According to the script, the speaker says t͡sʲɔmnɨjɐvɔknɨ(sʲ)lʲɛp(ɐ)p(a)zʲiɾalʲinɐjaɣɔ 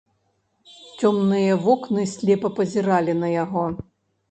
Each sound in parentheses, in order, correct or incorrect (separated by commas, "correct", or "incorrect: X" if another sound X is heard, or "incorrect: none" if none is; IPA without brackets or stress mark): correct, correct, incorrect: ɐ